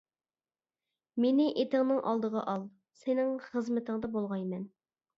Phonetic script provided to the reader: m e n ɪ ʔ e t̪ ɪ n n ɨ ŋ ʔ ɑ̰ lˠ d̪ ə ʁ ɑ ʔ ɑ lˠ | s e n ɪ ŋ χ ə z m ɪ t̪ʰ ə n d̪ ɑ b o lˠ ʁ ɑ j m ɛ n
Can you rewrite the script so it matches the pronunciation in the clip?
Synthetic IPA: m e n ɪ ʔ e t̪ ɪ ŋ n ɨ ŋ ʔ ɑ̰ lˠ d̪ ə ʁ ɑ ʔ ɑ lˠ | s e n ɪ ŋ χ ə z m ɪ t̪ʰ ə ŋ d̪ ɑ b o lˠ ʁ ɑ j m ɛ n